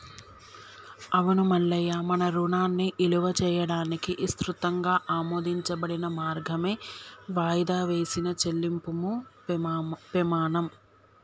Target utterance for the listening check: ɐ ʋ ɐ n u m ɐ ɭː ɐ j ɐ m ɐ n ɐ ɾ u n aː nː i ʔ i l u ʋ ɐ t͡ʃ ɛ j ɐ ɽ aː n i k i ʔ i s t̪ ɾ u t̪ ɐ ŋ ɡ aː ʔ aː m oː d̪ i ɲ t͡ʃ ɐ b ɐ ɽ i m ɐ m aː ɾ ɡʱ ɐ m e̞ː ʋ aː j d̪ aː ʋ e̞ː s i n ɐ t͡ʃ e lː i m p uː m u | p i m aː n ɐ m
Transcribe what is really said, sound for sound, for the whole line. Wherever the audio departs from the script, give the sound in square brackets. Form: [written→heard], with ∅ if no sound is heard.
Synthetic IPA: ɐ ʋ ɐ n u m ɐ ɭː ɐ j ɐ m ɐ n ɐ ɾ u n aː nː i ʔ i l u ʋ ɐ t͡ʃ [ɛ→ɛː] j ɐ ɽ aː n i k i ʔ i s t̪ ɾ u t̪ ɐ ŋ ɡ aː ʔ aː m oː d̪ i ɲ t͡ʃ ɐ b ɐ ɽ i [m→n] ɐ m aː ɾ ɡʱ ɐ m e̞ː ʋ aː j d̪ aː ʋ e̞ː s i n ɐ t͡ʃ e lː i m p [uː→u] m u | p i m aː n ɐ m